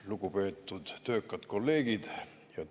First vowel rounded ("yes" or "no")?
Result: yes